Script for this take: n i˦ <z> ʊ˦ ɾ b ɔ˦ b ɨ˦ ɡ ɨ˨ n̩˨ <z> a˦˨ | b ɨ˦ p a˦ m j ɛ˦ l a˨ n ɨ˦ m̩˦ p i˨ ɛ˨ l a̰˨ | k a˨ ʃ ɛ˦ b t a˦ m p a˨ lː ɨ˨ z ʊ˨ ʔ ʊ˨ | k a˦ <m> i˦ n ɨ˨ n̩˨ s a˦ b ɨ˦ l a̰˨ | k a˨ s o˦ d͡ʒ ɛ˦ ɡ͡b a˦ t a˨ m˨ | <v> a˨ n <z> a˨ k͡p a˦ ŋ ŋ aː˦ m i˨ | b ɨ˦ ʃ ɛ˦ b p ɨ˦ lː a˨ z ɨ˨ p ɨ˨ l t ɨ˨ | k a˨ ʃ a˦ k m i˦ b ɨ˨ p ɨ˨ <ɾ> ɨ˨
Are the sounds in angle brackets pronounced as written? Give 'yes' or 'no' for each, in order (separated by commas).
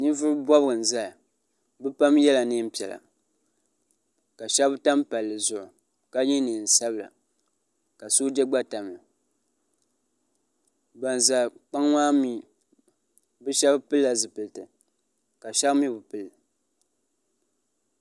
no, yes, no, no, yes, no